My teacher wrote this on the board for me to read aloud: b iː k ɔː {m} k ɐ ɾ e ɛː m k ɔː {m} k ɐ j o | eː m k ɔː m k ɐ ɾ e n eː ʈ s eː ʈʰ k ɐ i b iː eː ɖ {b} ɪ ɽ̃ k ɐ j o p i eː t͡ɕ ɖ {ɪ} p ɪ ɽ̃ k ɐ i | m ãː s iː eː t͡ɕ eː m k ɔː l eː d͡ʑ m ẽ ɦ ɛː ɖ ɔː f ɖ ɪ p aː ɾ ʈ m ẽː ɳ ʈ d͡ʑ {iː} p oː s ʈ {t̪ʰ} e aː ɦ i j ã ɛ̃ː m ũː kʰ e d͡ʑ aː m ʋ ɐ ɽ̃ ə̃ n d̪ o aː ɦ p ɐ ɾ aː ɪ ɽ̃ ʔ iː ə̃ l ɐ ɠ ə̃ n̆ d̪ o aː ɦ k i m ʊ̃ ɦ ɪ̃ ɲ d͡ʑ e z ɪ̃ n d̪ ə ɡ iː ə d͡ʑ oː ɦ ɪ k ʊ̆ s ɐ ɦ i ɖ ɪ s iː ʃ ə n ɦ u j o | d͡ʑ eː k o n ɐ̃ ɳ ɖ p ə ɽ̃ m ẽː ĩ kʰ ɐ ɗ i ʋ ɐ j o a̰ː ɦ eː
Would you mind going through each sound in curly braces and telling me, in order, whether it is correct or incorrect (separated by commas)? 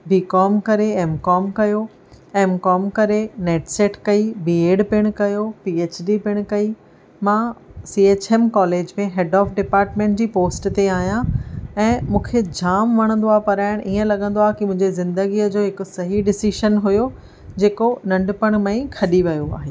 correct, correct, incorrect, incorrect, correct, incorrect